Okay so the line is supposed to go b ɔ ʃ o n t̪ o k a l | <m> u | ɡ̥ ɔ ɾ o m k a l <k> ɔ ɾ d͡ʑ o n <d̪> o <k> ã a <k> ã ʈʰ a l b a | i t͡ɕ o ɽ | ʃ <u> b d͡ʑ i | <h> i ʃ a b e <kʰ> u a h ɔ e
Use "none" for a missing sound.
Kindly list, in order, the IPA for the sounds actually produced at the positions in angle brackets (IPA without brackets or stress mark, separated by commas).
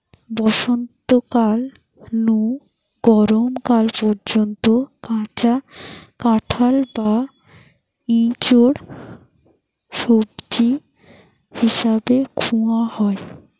n, p, t̪, k, k, o, h, kʰ